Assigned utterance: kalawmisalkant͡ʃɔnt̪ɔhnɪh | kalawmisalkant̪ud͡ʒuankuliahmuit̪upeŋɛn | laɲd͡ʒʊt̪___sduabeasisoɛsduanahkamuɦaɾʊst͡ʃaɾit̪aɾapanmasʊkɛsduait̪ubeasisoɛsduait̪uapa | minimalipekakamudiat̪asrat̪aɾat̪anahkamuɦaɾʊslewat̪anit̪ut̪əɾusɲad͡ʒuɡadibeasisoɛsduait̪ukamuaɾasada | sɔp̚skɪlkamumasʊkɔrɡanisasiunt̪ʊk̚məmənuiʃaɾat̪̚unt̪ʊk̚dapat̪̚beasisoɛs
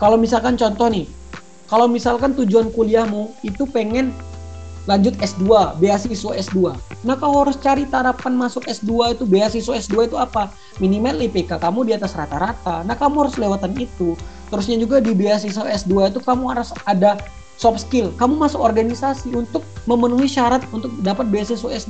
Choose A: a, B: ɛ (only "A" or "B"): B